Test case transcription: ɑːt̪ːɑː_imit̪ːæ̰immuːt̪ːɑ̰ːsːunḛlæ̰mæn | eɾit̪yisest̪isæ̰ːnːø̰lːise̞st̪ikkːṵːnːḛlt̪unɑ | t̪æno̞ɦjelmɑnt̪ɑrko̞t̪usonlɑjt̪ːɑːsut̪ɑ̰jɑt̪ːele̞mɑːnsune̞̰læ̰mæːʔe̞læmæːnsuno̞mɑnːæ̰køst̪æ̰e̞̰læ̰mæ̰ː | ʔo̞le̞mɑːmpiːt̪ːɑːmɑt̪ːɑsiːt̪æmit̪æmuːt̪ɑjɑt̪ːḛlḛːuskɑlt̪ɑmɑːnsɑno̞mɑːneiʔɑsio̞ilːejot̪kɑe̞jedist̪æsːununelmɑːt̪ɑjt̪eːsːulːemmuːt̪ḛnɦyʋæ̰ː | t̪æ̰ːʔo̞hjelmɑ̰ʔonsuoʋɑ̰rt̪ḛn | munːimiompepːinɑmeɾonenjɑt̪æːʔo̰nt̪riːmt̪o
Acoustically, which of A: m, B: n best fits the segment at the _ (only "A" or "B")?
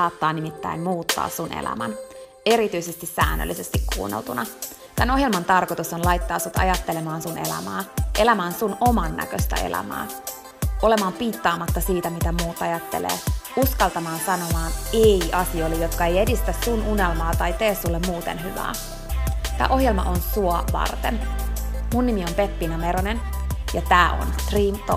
B